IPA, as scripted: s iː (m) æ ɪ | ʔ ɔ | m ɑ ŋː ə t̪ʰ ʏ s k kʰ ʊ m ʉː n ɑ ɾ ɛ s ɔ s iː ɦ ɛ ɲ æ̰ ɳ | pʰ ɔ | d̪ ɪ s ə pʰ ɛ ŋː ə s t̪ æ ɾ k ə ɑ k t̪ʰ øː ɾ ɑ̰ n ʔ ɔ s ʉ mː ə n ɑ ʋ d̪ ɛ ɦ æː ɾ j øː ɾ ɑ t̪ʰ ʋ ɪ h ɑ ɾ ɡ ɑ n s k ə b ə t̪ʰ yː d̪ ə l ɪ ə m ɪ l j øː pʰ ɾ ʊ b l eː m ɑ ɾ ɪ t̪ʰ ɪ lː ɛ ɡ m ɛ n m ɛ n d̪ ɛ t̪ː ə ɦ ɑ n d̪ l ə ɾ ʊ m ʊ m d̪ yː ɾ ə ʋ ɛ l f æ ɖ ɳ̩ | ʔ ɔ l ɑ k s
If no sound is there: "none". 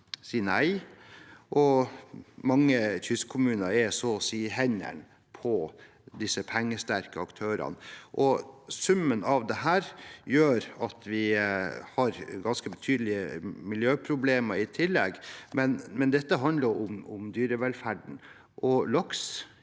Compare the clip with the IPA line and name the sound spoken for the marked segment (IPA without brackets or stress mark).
n